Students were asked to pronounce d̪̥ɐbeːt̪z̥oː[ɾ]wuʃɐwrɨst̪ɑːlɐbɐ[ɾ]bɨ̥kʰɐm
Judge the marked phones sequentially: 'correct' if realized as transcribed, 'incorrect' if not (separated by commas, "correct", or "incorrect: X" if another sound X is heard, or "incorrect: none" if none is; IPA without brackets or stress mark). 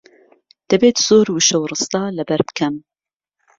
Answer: correct, correct